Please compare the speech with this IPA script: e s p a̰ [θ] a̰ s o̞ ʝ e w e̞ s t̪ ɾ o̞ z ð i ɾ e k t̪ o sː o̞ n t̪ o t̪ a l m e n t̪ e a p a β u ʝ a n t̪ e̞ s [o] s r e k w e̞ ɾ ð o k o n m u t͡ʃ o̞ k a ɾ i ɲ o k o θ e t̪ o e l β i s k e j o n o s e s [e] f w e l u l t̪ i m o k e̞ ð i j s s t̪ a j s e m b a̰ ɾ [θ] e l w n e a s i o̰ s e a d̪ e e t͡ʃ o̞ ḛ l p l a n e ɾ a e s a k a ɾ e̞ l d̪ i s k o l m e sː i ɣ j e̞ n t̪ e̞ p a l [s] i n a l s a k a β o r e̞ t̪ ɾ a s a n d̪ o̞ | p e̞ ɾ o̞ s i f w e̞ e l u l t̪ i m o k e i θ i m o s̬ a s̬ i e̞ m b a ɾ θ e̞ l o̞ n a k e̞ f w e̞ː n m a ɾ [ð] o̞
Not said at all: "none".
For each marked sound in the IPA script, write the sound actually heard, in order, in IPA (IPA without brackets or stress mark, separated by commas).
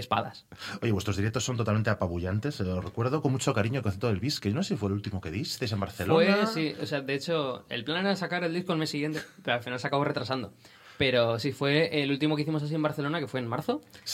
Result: ð, o, i, θ, f, θ